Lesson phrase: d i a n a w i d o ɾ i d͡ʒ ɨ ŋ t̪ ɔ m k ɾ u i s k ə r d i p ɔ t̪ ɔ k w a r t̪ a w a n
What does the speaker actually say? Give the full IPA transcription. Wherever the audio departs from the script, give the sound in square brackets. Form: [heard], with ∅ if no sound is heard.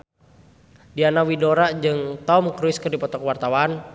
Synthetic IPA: d i a n a w i d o ɾ [a] d͡ʒ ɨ ŋ t̪ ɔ m k ɾ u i s k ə r d i p ɔ t̪ ɔ k w a r t̪ a w a n